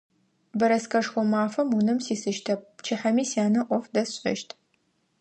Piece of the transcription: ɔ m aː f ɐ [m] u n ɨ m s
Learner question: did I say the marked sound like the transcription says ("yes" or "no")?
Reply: yes